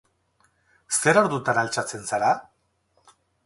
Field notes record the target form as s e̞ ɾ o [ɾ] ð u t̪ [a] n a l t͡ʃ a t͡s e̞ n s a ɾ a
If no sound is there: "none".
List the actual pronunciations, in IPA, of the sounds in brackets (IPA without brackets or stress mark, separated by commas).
ɾ, a